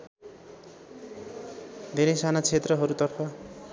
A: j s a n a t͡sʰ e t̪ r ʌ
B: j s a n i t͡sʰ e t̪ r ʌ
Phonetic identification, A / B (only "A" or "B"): A